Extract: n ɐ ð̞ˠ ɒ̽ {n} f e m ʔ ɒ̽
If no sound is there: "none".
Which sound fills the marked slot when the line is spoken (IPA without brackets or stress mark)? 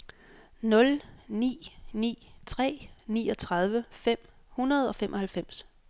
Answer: none